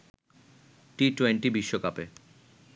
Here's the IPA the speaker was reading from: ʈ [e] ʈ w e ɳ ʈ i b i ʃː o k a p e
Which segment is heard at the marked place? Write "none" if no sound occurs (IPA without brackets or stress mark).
i